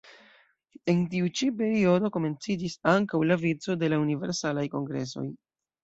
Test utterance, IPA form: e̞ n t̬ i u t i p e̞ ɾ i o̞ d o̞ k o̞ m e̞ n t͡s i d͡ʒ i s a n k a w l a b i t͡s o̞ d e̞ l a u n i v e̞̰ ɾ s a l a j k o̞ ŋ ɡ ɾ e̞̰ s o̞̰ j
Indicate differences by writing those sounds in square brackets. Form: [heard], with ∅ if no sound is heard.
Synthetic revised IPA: e̞ n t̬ i u [t͡ʃ] i p e̞ ɾ i o̞ d o̞ k o̞ m e̞ n t͡s i d͡ʒ i s a [ŋ] k a w l a [v] i t͡s o̞ d e̞ l a u n i v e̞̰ ɾ s a l a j k o̞ ŋ ɡ ɾ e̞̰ s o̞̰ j